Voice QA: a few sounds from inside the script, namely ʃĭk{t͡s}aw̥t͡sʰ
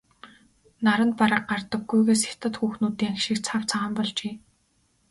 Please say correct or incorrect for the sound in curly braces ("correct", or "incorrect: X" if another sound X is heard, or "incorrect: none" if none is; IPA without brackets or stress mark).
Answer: incorrect: t͡sʰ